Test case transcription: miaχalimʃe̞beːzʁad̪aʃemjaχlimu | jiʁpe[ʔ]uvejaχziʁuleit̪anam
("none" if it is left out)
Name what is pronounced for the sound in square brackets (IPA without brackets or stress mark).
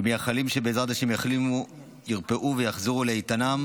ʔ